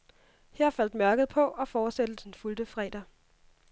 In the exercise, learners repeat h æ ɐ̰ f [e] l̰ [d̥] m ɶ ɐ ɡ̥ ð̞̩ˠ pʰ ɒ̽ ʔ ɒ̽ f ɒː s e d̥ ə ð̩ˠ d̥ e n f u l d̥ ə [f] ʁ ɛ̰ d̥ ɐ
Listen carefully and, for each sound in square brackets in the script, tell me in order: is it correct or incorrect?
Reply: incorrect, correct, correct

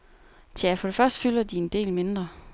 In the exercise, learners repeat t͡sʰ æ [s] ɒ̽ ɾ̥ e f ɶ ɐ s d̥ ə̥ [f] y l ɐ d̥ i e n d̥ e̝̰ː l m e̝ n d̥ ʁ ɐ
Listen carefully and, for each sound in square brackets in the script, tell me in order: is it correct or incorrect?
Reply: incorrect, correct

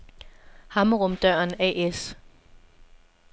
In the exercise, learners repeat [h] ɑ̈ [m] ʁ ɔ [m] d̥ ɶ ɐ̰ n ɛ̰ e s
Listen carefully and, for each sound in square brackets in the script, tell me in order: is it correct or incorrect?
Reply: correct, correct, correct

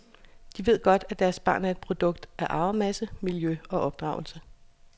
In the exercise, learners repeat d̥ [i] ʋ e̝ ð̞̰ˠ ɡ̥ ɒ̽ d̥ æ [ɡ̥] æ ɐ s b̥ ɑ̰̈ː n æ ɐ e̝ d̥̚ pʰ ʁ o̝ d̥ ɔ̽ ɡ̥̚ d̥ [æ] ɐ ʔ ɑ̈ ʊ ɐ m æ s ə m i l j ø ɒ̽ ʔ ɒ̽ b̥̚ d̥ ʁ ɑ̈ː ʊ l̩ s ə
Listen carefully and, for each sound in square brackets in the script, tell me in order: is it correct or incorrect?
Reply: correct, incorrect, correct

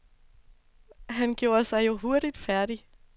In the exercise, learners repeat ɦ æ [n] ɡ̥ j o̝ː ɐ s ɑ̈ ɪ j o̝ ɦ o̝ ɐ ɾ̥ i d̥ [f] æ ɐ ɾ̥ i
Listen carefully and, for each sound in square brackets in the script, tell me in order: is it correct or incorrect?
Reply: correct, correct

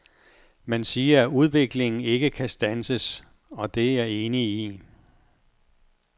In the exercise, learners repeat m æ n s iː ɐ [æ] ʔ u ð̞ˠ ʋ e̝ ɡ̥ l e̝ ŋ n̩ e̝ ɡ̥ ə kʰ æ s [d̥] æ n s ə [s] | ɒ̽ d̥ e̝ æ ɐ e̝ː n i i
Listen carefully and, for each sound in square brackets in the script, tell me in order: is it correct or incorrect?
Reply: correct, correct, correct

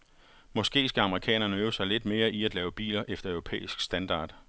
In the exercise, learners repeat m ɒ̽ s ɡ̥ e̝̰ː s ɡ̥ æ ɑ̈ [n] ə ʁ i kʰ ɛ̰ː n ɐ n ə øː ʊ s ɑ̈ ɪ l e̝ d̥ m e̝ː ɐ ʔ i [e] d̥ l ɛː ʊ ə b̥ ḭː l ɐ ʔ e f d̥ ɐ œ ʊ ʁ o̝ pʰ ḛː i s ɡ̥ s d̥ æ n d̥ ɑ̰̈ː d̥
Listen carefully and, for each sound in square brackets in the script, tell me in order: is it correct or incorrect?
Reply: incorrect, incorrect

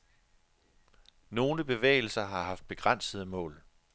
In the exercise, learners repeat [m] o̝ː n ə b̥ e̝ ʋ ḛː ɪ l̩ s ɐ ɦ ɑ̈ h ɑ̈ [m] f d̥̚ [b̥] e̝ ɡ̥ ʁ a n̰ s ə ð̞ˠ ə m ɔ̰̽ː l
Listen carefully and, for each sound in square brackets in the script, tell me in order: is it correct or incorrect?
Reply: incorrect, incorrect, correct

